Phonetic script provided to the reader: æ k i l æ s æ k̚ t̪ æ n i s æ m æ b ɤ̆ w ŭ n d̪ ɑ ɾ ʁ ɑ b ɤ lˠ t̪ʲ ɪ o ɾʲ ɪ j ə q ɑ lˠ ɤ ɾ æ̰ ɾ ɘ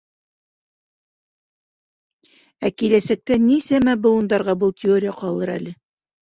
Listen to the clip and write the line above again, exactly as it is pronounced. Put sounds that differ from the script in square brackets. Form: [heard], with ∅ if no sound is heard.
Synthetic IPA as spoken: æ k i l æ s æ k̚ t̪ æ n i s æ m æ b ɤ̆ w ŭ n d̪ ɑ ɾ ʁ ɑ b ɤ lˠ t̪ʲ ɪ o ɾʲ ɪ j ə q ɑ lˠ ɤ ɾ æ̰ [l] ɘ